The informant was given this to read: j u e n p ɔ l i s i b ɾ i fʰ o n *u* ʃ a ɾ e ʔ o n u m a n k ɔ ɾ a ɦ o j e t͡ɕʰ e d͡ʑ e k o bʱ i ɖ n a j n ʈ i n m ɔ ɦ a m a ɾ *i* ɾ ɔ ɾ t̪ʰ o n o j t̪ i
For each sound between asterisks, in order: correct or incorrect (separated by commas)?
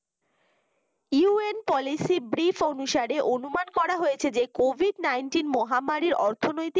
correct, correct